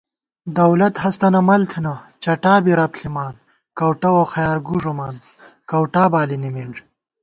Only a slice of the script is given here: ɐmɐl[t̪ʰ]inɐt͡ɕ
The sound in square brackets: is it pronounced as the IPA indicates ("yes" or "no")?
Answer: yes